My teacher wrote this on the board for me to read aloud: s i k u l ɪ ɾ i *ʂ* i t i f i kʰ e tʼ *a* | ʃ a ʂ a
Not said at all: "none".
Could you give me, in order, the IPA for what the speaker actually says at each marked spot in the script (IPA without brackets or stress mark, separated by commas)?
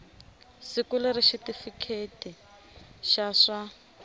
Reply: ʃ, i